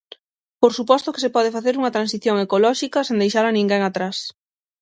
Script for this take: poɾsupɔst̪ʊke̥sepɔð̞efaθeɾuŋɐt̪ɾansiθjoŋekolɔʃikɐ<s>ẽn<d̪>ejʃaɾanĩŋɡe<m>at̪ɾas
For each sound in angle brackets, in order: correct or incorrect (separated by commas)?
correct, correct, incorrect